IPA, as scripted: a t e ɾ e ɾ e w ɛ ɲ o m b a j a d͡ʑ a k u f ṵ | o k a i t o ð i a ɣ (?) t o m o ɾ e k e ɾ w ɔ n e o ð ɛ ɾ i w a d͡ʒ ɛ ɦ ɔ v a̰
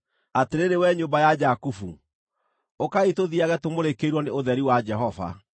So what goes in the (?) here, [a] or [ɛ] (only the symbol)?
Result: ɛ